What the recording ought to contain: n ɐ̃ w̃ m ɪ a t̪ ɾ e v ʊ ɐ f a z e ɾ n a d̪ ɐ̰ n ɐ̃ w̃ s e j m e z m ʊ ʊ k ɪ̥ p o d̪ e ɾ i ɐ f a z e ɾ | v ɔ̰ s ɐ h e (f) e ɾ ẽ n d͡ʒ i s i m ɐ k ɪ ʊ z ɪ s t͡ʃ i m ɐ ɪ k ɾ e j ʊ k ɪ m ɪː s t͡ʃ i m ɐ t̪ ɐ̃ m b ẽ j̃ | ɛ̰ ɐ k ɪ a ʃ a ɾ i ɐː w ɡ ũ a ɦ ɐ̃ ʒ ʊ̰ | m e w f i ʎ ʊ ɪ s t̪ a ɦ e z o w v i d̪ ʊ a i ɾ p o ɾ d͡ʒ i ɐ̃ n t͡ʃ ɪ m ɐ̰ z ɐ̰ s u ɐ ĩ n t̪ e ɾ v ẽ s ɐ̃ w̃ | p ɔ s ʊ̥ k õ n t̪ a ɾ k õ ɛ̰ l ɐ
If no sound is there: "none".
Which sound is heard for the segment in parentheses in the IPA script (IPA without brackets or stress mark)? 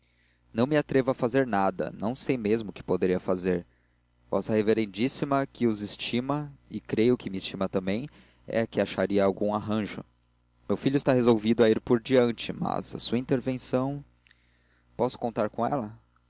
v